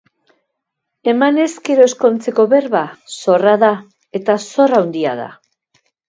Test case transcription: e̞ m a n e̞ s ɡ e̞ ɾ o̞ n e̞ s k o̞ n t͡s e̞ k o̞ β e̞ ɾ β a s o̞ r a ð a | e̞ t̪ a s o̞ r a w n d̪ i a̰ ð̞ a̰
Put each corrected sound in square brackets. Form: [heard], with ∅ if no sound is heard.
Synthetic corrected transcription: e̞ m a n e̞ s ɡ e̞ ɾ o̞ [∅] e̞ s k o̞ n t͡s e̞ k o̞ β e̞ ɾ β a s o̞ r a ð a | e̞ t̪ a s o̞ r a w n d̪ i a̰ ð̞ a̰